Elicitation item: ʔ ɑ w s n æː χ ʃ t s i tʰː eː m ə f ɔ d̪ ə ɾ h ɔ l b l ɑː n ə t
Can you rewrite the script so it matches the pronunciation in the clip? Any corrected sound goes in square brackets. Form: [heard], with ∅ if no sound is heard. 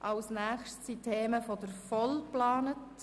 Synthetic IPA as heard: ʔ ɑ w s n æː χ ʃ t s i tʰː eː m ə f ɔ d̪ ə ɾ [f] ɔ l [p] l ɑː n ə t

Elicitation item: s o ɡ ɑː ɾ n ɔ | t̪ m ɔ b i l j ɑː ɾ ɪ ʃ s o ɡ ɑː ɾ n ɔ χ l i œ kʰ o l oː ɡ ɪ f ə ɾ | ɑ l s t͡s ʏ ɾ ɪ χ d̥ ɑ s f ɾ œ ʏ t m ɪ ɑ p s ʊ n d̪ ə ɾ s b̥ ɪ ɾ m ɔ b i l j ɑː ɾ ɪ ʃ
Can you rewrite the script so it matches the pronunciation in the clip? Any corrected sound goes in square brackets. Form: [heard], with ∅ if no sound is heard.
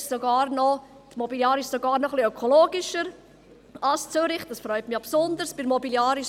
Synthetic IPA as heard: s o ɡ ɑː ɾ n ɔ | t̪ m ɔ b i l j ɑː ɾ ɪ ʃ s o ɡ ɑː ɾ n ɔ χ l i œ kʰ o l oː ɡ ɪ [ʃ] ə ɾ | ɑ l s t͡s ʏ ɾ ɪ χ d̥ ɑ s f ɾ œ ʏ t m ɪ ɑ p s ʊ n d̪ ə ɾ s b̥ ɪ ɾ m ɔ b i l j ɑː ɾ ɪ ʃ

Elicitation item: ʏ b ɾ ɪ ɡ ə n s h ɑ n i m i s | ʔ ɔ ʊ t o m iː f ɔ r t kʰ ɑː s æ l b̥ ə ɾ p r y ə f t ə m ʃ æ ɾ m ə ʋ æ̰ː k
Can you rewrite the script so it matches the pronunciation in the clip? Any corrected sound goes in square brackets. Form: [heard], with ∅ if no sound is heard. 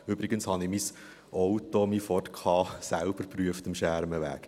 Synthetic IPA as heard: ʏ b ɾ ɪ ɡ ə n s h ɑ n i m i s | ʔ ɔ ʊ t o m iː f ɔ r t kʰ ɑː s æ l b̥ ə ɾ p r y ə f t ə m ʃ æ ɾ m ə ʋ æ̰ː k

